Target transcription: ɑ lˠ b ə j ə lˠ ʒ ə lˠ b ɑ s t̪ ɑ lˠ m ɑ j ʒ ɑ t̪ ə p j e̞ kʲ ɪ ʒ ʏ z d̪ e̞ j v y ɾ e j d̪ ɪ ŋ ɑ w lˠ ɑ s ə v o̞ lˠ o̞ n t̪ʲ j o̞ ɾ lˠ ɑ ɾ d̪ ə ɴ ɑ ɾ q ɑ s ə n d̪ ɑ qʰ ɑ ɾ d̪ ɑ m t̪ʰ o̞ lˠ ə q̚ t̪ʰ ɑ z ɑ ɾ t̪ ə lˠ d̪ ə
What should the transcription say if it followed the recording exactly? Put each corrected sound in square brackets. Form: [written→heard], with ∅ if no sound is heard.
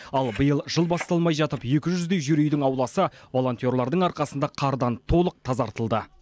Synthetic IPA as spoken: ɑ lˠ b ə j ə lˠ ʒ ə lˠ b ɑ s t̪ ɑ lˠ m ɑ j ʒ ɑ t̪ ə p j e̞ kʲ ɪ ʒ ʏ z d̪ e̞ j [v→ʒ] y ɾ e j d̪ ɪ ŋ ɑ w lˠ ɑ s ə v o̞ lˠ o̞ n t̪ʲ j o̞ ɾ lˠ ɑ ɾ d̪ ə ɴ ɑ ɾ q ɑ s ə n d̪ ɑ qʰ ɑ ɾ d̪ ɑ [m→n] t̪ʰ o̞ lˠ ə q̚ t̪ʰ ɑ z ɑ ɾ t̪ ə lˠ d̪ ə